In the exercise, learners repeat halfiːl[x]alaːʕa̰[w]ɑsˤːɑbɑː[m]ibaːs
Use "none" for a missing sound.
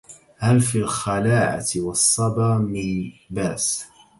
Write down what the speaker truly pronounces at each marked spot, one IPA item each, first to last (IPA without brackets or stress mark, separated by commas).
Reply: x, w, m